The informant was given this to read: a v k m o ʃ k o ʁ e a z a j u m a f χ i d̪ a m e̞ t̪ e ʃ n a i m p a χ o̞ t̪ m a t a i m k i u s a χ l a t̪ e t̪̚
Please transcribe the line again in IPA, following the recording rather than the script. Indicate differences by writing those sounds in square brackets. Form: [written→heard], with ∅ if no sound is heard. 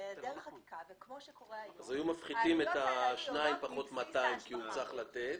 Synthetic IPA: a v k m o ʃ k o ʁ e a z a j u m a f χ i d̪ [a→i] m e̞ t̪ [e→a] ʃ n a i m p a χ o̞ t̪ m a t a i m k i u [s→t͡s] a χ l a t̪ e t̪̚

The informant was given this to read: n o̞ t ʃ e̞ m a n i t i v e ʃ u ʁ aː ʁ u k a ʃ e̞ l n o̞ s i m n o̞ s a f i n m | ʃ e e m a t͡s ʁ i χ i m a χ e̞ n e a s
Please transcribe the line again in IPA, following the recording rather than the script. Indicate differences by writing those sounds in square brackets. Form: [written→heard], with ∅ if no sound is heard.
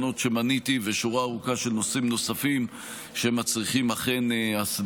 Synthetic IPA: n o̞ t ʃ e̞ m a n i t i v e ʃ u ʁ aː ʁ u k a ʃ e̞ l n o̞ s i m n o̞ s a f i [n→∅] m | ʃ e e m a t͡s ʁ i χ i m a χ e̞ n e a s

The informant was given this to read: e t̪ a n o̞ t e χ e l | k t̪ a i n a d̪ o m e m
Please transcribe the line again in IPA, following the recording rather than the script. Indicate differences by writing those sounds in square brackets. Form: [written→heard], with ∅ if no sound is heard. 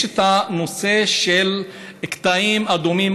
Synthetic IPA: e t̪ a n o̞ [t→s] e [χ→ʃ] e l | k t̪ a i [n→m] a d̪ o m [e→i] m

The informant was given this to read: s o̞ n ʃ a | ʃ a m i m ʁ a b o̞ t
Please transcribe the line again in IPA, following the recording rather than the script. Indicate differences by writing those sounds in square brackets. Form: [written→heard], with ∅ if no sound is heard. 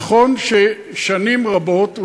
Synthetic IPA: [s→χ] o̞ n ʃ [a→e] | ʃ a [m→n] i m ʁ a b o̞ t

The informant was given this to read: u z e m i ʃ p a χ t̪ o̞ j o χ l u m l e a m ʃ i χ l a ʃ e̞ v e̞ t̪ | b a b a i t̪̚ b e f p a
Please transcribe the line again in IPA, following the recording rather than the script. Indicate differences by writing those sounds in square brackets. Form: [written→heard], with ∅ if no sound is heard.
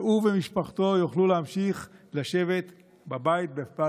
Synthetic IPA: u [z→v] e m i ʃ p a χ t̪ o̞ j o χ l u [m→∅] l e a m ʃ i χ l a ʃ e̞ v e̞ t̪ | b a b a i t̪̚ b e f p a

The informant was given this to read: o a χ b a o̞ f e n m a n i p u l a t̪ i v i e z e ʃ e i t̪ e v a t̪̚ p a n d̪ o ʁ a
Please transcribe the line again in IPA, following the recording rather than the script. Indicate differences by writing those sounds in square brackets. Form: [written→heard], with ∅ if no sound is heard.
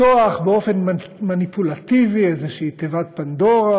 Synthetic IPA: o a χ b [a→e] o̞ f e n m a n i p u l a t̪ i v i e z e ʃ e i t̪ e v a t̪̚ p a n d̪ o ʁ a

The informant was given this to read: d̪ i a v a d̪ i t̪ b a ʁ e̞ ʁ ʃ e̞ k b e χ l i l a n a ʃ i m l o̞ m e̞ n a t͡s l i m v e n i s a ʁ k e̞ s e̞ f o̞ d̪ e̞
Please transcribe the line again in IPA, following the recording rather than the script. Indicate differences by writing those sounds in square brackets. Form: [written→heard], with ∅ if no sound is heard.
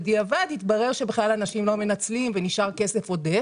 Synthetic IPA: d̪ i a v a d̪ i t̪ b a ʁ e̞ ʁ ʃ e̞ [k→∅] b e χ l [i→a] l a n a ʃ i m l o̞ m e̞ n a t͡s l i m v e n i [s→ʃ] a ʁ k e̞ s e̞ f o̞ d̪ e̞

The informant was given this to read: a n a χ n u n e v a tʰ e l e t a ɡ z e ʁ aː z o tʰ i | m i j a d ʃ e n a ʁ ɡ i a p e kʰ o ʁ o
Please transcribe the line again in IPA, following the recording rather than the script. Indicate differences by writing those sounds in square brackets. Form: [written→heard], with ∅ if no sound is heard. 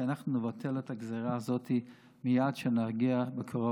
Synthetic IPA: a n a χ n u n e v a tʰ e l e t a ɡ z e ʁ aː z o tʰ i | m i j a d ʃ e n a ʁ ɡ i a [p→b] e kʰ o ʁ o

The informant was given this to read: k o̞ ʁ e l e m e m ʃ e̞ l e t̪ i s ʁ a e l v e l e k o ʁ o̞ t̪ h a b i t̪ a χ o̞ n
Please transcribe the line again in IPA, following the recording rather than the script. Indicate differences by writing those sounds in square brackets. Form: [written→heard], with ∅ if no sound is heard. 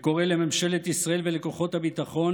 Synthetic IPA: k o̞ ʁ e l e m e m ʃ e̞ l e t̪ i s ʁ a e l v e l e k o [ʁ→χ] o̞ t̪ h a b i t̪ a χ o̞ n

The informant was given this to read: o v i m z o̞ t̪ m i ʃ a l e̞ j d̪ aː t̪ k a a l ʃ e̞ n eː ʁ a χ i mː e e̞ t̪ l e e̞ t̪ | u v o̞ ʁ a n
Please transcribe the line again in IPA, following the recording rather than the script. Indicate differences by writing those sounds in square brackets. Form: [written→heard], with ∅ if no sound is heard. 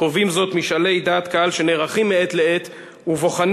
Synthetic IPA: o v i m z o̞ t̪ m i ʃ a l e̞ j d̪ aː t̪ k a a l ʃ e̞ n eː ʁ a χ i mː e e̞ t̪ l e e̞ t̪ | u v o̞ [ʁ→χ] a n

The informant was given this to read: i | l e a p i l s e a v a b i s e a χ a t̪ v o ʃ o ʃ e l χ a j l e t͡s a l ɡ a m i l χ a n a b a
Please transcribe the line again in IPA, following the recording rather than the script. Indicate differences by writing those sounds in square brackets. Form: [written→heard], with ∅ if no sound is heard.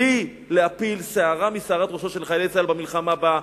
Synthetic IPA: i | l e a p i l s e a [v→ʁ] a [b→m] i s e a [χ→ʁ] a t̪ [v→ʁ] o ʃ o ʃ e l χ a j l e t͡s a l [ɡ→b] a m i l χ a [n→m] a b a

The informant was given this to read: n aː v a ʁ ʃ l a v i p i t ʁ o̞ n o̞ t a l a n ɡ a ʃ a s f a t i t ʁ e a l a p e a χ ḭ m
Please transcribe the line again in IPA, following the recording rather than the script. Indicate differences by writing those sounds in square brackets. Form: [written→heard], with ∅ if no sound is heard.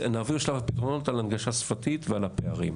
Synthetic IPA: n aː v [a→i] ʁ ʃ l a v [i→a] p i t ʁ o̞ n o̞ t a l a n ɡ a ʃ a s f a t i t [ʁ→v] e a l a p e a [χ→ʁ] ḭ m

